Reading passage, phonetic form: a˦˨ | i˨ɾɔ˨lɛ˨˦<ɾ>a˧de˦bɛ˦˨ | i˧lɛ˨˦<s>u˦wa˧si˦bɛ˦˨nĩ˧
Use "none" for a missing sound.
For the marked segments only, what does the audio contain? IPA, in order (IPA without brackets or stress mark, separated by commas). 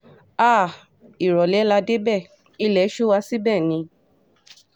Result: l, ʃ